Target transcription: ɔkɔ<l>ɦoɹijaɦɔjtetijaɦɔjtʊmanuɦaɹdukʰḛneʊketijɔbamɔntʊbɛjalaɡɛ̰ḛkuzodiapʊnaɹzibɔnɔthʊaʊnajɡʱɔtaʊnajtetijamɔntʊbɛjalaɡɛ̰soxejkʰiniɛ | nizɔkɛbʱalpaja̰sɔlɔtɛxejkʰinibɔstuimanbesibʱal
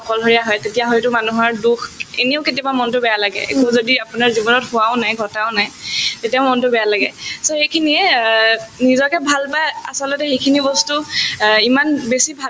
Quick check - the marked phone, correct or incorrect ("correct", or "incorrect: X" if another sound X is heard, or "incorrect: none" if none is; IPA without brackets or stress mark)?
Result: correct